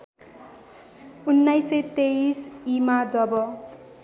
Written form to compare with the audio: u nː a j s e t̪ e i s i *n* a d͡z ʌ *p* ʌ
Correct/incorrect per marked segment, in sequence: incorrect, incorrect

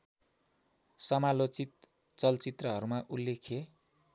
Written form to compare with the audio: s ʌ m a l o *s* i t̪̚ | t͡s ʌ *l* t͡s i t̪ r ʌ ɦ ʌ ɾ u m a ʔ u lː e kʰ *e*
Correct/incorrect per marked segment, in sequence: incorrect, correct, correct

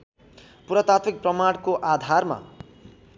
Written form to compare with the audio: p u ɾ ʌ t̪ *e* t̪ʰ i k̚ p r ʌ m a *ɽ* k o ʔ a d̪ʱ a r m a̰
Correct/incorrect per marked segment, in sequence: incorrect, correct

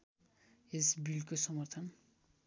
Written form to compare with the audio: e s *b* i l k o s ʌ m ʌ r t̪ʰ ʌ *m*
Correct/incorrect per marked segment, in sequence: correct, incorrect

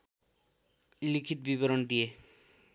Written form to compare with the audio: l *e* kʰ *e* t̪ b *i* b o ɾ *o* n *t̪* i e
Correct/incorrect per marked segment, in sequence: incorrect, incorrect, correct, correct, incorrect

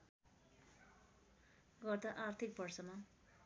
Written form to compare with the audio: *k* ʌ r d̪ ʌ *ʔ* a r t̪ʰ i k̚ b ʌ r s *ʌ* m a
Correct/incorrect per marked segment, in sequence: incorrect, correct, correct

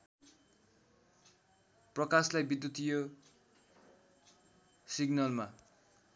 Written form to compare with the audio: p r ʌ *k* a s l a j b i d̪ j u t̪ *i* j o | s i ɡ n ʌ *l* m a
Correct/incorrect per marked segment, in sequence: correct, correct, correct

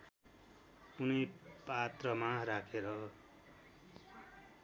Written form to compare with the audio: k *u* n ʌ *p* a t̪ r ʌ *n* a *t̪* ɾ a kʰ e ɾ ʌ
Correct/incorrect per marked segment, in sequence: correct, correct, incorrect, incorrect

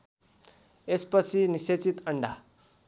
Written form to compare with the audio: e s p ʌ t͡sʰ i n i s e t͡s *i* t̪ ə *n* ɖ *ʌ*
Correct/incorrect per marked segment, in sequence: correct, incorrect, incorrect

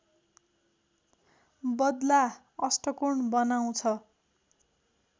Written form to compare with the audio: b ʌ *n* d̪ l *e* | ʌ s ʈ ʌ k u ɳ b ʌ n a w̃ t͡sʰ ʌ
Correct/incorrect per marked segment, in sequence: incorrect, incorrect

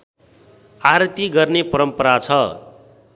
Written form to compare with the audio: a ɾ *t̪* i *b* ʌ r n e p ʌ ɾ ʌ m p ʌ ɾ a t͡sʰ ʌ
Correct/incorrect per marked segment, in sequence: correct, incorrect

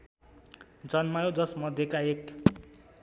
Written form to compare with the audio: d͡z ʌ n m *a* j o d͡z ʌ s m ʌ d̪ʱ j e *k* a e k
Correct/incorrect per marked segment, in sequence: correct, correct

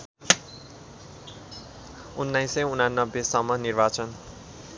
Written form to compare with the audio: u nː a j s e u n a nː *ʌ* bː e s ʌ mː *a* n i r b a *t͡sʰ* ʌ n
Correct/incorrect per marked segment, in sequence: correct, incorrect, incorrect

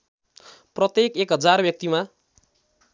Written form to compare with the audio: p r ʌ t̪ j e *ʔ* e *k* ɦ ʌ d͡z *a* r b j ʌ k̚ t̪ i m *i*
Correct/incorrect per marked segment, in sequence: incorrect, correct, correct, incorrect

